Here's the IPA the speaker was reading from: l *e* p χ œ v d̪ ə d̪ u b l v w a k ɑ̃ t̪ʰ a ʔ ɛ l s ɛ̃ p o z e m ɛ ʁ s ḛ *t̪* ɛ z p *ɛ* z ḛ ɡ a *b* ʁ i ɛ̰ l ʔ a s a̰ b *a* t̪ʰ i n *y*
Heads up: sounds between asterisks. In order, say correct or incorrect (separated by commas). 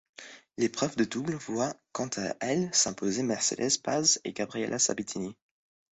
correct, incorrect, incorrect, correct, incorrect, incorrect